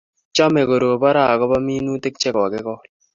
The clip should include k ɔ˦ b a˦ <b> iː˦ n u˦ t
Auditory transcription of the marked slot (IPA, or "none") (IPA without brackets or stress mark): m